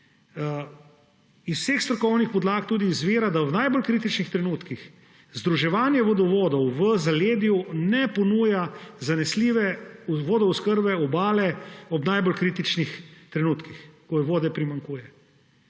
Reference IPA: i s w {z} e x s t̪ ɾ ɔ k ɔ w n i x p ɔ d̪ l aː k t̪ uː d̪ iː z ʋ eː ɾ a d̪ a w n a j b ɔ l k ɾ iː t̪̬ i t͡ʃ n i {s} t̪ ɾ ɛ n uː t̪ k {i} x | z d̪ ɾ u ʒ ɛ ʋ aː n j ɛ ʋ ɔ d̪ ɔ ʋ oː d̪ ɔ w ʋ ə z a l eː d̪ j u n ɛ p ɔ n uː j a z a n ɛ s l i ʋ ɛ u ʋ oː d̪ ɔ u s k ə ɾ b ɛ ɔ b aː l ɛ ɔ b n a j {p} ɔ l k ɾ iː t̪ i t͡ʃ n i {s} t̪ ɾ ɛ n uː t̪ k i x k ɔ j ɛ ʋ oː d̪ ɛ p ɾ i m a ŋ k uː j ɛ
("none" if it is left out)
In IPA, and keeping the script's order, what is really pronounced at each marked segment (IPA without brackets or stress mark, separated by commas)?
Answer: s, x, i, b, x